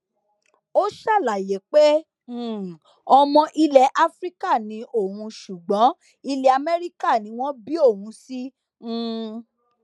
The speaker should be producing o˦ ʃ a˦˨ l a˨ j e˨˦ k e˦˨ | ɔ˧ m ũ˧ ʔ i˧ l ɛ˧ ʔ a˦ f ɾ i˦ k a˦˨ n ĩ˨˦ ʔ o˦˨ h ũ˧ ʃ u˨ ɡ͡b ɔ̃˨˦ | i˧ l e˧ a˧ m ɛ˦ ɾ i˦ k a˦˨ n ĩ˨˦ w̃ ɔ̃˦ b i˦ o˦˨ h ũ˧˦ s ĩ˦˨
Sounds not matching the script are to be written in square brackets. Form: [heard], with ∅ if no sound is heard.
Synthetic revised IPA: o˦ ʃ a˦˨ l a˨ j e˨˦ [k͡p] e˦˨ | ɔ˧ m [ɔ̃˧] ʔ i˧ l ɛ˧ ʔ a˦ f ɾ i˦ k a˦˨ n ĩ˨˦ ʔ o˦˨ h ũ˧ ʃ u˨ ɡ͡b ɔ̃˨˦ | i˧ l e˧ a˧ m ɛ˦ ɾ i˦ k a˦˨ n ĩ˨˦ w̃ ɔ̃˦ b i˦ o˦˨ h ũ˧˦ s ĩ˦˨

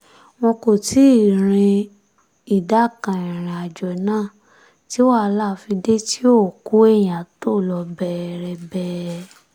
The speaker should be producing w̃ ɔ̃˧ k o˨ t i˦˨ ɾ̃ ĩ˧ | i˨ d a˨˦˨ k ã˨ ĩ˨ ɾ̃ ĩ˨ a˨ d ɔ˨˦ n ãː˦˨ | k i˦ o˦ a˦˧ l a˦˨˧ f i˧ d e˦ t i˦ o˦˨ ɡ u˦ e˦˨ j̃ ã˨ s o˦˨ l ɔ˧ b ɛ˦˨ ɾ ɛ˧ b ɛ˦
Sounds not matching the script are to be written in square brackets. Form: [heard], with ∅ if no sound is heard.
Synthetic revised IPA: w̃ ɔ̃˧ k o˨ t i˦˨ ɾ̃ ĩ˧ | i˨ d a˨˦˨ k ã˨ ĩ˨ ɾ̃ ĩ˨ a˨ [d͡ʒ] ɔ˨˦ n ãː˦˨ | [t] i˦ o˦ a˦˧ l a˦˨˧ f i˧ d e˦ t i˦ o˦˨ [k] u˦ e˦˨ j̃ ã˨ [t] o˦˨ l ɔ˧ b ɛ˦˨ ɾ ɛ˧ b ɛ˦

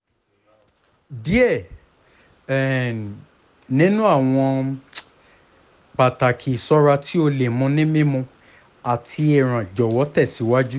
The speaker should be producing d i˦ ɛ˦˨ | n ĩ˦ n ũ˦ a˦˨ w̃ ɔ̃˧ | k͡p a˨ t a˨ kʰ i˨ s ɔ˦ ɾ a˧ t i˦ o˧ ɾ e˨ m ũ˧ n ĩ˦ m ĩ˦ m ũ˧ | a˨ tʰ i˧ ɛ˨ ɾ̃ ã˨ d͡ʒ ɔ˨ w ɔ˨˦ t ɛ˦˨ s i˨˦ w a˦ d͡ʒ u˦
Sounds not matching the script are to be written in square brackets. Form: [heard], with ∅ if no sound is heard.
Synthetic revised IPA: d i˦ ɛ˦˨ | n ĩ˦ n ũ˦ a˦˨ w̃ ɔ̃˧ | k͡p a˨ t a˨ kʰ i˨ s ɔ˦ ɾ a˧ t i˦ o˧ [l] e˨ m ũ˧ n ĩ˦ m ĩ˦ m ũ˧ | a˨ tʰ i˧ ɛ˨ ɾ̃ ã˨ d͡ʒ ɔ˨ w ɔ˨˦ t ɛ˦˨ s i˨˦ w a˦ d͡ʒ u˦

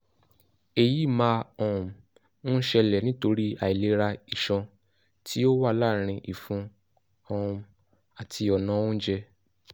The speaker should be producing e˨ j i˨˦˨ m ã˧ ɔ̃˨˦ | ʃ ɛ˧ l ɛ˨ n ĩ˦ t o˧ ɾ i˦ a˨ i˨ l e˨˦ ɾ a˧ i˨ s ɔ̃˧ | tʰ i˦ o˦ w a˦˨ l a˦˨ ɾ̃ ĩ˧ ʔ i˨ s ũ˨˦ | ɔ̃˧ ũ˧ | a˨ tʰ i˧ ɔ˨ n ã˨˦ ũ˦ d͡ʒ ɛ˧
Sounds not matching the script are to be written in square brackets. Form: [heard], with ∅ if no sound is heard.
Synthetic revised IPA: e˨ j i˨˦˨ m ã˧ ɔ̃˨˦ | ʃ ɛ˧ l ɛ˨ n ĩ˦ t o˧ ɾ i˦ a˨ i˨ l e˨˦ ɾ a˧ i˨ [ʃ] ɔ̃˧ | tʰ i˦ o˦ w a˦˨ l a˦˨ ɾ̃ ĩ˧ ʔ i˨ [f] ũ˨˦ | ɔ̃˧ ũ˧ | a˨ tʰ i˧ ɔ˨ n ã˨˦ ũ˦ d͡ʒ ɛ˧

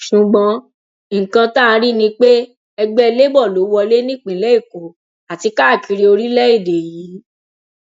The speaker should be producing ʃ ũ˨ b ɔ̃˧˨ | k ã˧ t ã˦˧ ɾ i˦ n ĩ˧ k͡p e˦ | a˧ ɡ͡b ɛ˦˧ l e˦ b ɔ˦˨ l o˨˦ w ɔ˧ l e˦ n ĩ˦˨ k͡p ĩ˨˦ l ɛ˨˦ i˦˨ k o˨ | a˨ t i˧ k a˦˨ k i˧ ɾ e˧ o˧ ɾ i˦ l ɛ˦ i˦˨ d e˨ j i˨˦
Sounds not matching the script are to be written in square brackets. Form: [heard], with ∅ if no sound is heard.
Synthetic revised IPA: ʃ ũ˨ [ɡ͡b] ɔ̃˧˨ | k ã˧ t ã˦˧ ɾ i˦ n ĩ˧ k͡p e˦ | [ɛ˧] ɡ͡b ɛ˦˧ l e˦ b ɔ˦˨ l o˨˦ w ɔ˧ l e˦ n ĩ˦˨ k͡p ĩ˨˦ l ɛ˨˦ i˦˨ k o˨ | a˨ t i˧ k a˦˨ k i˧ ɾ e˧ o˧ ɾ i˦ l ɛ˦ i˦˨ d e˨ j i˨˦

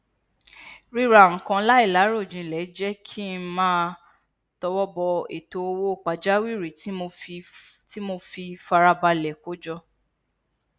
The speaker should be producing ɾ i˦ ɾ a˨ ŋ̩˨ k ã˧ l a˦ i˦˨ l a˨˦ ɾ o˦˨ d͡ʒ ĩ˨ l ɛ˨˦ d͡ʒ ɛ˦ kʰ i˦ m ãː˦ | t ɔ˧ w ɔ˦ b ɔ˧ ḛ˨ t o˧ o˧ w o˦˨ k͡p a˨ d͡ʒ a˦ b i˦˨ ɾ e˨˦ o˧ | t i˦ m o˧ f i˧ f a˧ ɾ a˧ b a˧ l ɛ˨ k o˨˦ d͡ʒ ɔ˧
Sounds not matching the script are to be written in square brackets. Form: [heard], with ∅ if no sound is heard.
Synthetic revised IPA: ɾ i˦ ɾ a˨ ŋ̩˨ k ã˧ l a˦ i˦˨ l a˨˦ ɾ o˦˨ d͡ʒ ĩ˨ l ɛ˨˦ d͡ʒ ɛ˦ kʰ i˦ m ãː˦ | t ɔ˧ w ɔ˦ b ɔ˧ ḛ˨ t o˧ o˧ w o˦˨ k͡p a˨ d͡ʒ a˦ [w] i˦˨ ɾ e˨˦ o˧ | t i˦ m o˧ f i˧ f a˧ ɾ a˧ b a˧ l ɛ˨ k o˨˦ d͡ʒ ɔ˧

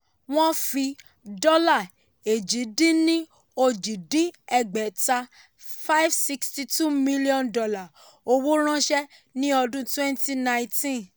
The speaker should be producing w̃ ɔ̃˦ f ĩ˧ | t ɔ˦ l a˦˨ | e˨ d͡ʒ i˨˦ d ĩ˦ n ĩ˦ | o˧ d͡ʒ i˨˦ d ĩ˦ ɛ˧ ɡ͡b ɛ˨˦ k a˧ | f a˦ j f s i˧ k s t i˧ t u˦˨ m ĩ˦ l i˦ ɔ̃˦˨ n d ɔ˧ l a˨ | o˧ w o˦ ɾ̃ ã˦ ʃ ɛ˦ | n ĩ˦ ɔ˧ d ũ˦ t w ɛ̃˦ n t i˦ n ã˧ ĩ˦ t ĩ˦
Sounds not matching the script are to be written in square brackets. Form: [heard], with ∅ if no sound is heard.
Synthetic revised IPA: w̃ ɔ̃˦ f [i˧] | [d] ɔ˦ l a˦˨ | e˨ d͡ʒ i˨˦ d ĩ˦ n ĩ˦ | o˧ d͡ʒ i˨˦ d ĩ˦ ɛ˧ ɡ͡b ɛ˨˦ [t] a˧ | f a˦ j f s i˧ k s t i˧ t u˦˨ m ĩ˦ l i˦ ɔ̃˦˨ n d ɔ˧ l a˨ | o˧ w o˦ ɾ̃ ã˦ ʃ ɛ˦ | n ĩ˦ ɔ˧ d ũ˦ t w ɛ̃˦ n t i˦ n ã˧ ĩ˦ t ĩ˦

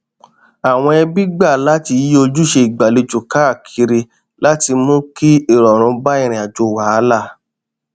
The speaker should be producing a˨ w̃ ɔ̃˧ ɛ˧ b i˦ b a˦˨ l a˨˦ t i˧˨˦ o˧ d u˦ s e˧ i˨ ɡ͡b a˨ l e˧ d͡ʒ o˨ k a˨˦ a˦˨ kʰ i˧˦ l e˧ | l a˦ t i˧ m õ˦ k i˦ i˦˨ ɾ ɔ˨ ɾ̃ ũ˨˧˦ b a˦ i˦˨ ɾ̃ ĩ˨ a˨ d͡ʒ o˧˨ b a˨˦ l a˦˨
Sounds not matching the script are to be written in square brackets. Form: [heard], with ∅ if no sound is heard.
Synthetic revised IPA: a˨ w̃ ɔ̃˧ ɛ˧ b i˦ [ɡ͡b] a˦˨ l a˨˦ t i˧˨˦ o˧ [d͡ʒ] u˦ [ʃ] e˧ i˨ ɡ͡b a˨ l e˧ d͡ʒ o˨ k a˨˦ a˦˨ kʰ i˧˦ [ɾ] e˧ | l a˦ t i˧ m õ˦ k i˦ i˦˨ ɾ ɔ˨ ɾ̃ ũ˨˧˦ b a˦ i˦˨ ɾ̃ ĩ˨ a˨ d͡ʒ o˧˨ [w] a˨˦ l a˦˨

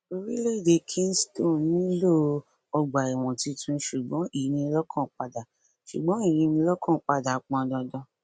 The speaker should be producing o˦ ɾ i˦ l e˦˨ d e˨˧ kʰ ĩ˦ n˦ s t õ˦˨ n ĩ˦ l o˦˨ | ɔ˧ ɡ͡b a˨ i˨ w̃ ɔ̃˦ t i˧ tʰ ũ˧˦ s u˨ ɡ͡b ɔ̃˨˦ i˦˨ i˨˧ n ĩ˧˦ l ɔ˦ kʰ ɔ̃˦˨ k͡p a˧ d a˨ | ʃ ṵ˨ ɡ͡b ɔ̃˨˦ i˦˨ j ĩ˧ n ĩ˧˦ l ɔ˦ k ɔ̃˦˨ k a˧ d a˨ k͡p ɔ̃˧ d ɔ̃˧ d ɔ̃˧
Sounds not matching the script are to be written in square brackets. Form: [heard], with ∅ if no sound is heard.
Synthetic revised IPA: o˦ ɾ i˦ l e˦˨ d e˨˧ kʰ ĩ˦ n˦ s t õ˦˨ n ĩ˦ l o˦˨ | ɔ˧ ɡ͡b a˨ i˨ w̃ [ɔ̃˨] t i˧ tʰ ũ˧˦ [ʃ] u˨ ɡ͡b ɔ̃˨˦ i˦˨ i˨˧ n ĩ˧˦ l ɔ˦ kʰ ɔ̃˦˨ k͡p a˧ d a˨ | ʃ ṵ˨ ɡ͡b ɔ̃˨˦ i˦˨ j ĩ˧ n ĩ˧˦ l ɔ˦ k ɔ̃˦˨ [k͡p] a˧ d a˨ k͡p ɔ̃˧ d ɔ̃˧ d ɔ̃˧

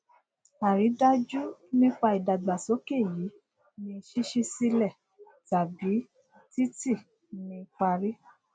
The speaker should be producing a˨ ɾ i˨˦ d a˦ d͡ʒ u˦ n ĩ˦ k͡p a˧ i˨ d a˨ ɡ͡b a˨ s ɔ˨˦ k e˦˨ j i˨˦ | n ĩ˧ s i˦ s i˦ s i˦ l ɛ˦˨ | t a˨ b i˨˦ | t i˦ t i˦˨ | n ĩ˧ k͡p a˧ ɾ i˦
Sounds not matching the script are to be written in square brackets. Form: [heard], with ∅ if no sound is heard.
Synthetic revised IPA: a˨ ɾ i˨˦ d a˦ d͡ʒ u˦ n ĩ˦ k͡p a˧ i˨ d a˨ ɡ͡b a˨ s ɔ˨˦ k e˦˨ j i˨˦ | n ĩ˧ [ʃ] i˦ [ʃ] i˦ s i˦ l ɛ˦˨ | t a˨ b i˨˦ | t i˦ t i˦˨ | n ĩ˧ k͡p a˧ ɾ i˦

